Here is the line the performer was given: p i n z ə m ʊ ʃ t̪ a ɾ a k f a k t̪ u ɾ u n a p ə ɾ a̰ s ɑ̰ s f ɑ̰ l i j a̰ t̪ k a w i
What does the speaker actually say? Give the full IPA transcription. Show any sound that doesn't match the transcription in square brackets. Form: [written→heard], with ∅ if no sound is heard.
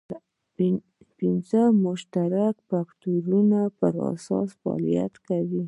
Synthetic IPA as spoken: p i n z ə m ʊ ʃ t̪ a ɾ a k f a k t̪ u ɾ u n a p ə ɾ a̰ s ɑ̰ s f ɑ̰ l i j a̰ t̪ k a w i